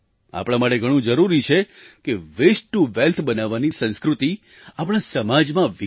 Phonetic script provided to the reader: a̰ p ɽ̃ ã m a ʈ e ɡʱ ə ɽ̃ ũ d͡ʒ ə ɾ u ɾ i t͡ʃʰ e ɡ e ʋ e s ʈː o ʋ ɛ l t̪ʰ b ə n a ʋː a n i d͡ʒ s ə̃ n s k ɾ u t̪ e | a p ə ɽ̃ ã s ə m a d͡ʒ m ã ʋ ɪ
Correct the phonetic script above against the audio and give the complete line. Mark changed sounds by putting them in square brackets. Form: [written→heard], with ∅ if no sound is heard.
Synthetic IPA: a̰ p ɽ̃ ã m a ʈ e ɡʱ ə ɽ̃ ũ d͡ʒ ə ɾ u ɾ i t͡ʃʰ e [ɡ→k] e ʋ e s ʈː [o→u] ʋ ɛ l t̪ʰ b ə n a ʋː a n i [d͡ʒ→∅] s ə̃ n s k ɾ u t̪ [e→i] | a p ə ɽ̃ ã s ə m a d͡ʒ m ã ʋ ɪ